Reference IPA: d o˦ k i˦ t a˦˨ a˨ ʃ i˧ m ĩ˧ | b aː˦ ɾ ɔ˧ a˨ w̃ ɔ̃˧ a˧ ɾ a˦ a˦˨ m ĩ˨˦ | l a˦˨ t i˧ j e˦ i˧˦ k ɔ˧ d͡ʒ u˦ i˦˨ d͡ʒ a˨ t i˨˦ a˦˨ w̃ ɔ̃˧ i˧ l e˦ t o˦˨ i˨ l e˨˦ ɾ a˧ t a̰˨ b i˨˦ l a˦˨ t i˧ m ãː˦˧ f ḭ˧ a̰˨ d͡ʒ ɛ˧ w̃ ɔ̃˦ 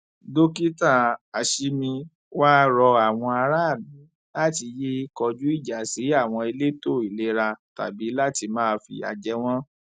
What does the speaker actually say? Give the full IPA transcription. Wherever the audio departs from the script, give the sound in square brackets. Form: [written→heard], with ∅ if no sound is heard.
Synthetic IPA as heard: d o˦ k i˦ t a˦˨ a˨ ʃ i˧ m ĩ˧ | [b→w] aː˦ ɾ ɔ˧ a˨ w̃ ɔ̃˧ a˧ ɾ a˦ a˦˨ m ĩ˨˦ | l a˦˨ t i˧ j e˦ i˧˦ k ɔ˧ d͡ʒ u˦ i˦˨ d͡ʒ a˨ [t→s] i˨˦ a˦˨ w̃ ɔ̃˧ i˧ l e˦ t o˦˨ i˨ l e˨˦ ɾ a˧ t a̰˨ b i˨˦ l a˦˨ t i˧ m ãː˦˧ f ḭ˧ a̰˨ d͡ʒ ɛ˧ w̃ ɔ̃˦